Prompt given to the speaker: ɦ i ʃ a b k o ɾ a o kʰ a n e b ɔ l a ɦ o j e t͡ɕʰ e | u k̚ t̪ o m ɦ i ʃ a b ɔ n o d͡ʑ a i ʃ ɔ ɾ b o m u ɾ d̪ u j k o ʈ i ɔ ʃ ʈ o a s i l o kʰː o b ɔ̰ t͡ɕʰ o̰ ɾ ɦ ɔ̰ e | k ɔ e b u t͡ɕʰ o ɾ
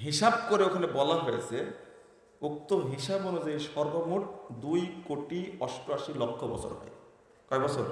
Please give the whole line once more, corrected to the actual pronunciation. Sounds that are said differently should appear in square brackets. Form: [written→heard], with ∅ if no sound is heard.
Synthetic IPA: ɦ i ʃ a b k o ɾ [a→e] o kʰ a n e b ɔ l a ɦ o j e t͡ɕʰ e | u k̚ t̪ o m ɦ i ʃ a b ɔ n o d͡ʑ a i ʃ ɔ ɾ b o m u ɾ d̪ u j k o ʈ i ɔ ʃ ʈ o a [s→ʃ] i l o kʰː o b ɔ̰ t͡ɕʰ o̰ ɾ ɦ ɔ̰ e | k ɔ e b [u→ɔ] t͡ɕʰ o ɾ